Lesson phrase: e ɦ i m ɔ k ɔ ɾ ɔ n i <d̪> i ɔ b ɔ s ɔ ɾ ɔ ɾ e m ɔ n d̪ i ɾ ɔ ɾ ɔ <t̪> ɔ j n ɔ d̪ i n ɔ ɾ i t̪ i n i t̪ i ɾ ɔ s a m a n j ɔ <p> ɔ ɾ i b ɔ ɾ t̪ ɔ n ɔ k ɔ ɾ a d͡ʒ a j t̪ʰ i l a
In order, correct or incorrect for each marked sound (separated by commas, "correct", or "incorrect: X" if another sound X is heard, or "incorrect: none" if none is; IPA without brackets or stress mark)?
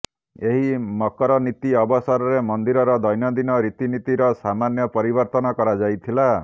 incorrect: t̪, incorrect: d̪, correct